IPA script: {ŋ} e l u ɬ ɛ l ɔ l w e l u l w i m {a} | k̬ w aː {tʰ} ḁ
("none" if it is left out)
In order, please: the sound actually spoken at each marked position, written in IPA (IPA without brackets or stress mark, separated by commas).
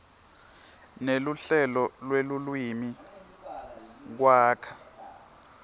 n, i, kʰ